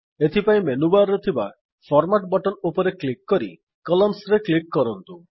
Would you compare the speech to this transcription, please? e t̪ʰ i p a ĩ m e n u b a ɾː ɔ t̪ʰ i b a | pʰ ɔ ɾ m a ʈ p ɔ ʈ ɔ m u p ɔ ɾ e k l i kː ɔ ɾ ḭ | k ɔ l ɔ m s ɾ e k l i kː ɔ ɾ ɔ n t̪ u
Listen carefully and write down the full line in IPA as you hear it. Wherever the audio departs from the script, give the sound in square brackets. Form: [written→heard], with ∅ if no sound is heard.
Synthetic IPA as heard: e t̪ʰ i p a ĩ m e n u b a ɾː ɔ t̪ʰ i b a | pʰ ɔ ɾ m a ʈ [p→b] ɔ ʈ ɔ [m→n] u p ɔ ɾ e k l i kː ɔ ɾ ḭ | k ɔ l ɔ m s ɾ e k l i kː ɔ ɾ ɔ n t̪ u